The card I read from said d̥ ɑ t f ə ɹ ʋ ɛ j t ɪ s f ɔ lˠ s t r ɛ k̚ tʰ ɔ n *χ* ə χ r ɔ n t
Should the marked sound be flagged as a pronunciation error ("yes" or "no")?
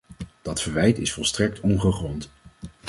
no